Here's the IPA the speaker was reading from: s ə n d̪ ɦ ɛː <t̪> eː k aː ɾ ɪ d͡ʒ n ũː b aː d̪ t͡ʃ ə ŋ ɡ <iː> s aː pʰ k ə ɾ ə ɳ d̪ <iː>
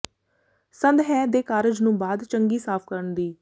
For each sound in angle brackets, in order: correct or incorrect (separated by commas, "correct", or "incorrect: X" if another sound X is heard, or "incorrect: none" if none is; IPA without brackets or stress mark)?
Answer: incorrect: d̪, correct, correct